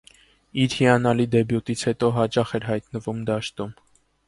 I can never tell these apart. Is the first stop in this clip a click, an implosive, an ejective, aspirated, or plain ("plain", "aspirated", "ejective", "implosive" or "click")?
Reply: plain